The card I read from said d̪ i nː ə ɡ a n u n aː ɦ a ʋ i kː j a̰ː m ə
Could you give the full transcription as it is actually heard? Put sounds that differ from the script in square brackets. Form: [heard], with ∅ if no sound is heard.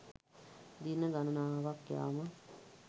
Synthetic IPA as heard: d̪ i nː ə ɡ a n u n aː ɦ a ʋ [a] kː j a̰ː m ə